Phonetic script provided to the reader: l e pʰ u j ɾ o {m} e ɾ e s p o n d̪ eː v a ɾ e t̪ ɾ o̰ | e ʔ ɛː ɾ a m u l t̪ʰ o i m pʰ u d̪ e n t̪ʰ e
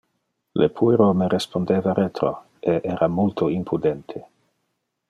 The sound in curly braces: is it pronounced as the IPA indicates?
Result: yes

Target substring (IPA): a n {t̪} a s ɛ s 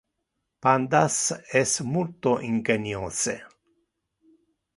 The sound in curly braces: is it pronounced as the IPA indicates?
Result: no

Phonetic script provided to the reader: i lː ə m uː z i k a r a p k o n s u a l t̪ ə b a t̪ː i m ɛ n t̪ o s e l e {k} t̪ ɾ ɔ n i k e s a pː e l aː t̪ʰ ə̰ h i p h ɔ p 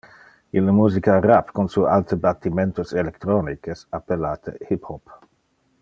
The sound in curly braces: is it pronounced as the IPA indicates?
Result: yes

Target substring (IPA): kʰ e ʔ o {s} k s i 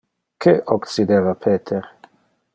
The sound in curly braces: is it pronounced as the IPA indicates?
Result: no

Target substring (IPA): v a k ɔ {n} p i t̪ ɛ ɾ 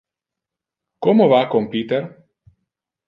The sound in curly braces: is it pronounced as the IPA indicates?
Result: no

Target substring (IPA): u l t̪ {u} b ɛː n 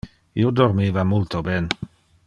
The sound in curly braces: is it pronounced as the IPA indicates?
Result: no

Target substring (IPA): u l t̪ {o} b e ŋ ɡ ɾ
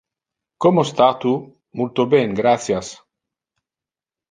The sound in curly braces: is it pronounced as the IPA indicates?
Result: yes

